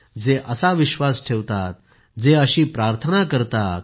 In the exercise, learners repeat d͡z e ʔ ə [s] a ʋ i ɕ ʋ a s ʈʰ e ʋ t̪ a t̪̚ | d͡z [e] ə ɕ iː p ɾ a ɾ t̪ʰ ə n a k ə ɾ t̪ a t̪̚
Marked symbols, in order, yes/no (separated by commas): yes, yes